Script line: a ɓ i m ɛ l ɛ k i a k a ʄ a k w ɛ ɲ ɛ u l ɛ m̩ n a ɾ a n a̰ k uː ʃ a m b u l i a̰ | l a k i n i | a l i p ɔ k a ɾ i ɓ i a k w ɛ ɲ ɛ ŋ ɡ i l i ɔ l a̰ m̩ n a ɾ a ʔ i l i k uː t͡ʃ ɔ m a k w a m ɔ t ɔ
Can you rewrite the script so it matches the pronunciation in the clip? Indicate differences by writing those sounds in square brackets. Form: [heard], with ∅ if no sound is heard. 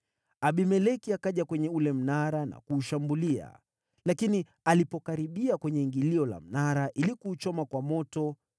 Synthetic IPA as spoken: a ɓ i m ɛ l ɛ k i a k a ʄ a k w ɛ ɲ ɛ u l ɛ m̩ n a ɾ a n a̰ k uː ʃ a m b u l i a̰ | l a k i n i | a l i p ɔ k a ɾ i ɓ i a k w ɛ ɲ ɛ ŋ ɡ i l i ɔ l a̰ m̩ n a ɾ a ʔ i l i k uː t͡ʃ ɔ m a k w a m ɔ t ɔ